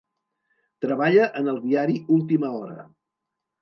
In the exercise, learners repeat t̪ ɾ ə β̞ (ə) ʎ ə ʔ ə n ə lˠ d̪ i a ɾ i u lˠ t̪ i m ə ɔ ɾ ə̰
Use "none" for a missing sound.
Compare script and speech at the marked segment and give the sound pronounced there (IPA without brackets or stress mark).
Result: a